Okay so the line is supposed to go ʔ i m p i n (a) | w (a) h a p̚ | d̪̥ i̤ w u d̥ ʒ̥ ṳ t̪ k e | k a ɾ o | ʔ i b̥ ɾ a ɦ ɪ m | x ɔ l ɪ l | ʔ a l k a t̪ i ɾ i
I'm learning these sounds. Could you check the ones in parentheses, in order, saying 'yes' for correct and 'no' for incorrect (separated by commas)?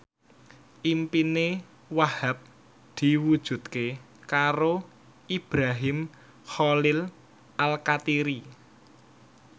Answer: no, yes